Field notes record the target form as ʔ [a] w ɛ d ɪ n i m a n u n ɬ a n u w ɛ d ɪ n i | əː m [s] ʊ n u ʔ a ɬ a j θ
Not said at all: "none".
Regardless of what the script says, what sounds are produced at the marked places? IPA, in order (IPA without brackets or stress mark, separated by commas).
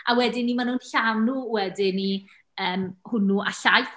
a, h